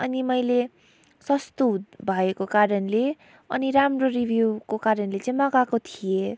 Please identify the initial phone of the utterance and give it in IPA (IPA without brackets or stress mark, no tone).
ʌ